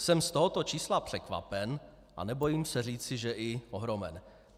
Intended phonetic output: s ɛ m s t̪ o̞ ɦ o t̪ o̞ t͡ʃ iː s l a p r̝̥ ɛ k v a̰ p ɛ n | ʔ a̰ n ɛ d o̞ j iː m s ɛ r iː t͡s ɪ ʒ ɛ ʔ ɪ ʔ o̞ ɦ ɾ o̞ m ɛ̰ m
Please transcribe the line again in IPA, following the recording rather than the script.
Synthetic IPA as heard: s ɛ m s t̪ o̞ ɦ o t̪ o̞ t͡ʃ iː s l a p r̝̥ ɛ k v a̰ p ɛ n | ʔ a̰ n ɛ b o̞ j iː m s ɛ r iː t͡s ɪ ʒ ɛ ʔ ɪ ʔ o̞ ɦ ɾ o̞ m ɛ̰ n